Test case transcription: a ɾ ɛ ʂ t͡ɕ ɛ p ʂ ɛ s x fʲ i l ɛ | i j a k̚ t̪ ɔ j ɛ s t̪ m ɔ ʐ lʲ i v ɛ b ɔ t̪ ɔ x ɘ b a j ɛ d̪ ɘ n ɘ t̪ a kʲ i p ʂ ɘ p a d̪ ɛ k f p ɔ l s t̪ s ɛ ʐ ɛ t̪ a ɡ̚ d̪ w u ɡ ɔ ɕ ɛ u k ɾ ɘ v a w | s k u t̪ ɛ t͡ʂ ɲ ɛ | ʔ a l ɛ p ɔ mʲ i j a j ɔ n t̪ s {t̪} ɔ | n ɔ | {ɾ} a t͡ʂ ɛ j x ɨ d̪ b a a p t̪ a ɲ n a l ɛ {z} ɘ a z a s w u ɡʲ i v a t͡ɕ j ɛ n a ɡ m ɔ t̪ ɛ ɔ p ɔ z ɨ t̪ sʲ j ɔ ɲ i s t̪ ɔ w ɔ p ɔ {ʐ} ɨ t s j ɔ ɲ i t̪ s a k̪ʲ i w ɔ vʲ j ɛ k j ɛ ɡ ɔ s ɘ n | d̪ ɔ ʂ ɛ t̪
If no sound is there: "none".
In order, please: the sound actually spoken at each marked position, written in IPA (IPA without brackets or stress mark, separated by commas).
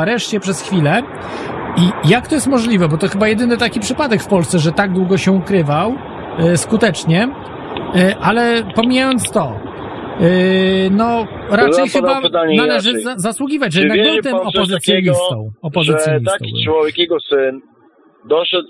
t̪, ɾ, ʐ, z